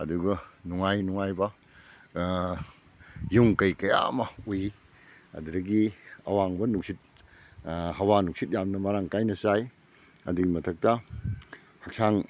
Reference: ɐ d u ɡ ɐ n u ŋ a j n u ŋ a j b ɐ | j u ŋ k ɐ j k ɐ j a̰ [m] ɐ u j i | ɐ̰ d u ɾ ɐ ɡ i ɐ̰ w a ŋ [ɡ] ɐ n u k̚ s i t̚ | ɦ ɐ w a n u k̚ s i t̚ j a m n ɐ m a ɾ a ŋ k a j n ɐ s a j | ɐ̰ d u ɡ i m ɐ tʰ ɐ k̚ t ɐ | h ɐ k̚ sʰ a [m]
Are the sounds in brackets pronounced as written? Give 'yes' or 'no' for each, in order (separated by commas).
yes, no, no